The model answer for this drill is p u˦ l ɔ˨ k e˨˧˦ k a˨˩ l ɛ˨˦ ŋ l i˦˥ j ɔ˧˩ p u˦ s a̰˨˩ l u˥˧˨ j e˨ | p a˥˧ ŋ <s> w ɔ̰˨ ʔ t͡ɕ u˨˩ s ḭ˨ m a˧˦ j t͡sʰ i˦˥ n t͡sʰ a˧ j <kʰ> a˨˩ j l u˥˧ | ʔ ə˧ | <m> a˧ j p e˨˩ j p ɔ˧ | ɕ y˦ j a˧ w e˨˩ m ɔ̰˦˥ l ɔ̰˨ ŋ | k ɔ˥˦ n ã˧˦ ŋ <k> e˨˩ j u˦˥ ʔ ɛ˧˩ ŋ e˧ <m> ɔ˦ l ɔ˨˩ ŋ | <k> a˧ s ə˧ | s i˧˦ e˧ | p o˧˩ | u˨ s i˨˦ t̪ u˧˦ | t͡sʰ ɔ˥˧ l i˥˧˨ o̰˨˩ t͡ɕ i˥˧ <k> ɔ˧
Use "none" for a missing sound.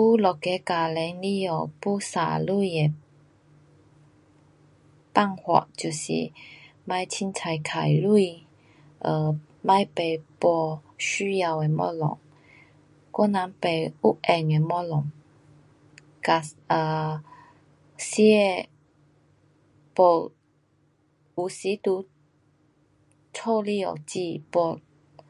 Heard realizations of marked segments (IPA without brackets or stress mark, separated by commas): h, kʰ, m, p, m, k, p